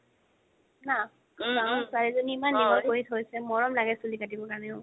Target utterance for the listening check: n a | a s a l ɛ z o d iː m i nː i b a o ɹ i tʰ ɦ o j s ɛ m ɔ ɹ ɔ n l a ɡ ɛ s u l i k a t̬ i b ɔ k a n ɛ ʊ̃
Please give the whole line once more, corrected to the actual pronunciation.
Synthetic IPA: n a | a s a ɹ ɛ z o n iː m a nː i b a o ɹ i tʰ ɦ o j s ɛ m ɔ ɹ ɔ m l a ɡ ɛ s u l i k a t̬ i b ɔ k a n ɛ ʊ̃